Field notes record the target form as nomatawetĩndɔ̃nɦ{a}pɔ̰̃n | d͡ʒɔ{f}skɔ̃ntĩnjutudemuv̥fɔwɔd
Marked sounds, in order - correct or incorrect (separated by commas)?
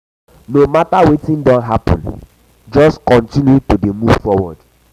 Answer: correct, incorrect